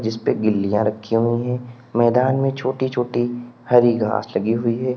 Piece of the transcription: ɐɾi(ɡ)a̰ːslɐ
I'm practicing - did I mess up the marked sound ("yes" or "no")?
no